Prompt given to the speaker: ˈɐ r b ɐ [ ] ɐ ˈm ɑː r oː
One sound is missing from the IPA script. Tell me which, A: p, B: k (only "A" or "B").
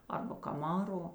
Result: B